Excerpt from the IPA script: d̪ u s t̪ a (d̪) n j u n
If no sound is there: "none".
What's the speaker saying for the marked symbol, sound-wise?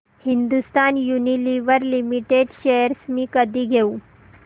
none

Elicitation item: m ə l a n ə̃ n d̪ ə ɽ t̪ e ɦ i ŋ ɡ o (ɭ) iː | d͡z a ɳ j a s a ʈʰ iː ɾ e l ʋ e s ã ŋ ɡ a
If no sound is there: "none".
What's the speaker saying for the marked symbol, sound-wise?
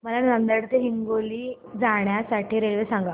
l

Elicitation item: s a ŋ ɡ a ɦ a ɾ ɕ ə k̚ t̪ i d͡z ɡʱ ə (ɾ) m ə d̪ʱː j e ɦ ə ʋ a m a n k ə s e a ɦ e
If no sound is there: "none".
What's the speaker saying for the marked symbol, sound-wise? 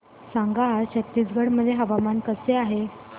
ɽ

